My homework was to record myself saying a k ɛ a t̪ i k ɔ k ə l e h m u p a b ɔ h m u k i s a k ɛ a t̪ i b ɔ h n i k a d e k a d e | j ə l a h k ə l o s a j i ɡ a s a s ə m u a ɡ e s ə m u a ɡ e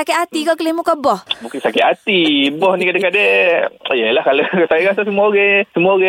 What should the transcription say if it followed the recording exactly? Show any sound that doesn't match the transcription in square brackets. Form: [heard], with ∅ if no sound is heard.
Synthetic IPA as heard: a k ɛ a t̪ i k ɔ k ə l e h m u [k] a b ɔ h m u k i s a k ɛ a t̪ i b ɔ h n i k a d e k a d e | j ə l a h k [a] l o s a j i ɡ a s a s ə m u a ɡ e s ə m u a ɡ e